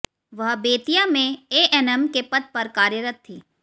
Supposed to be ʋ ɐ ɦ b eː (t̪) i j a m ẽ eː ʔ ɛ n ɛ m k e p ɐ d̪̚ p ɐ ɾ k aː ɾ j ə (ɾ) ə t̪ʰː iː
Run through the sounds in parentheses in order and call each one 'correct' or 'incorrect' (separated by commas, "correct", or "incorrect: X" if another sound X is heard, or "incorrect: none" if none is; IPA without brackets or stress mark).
correct, correct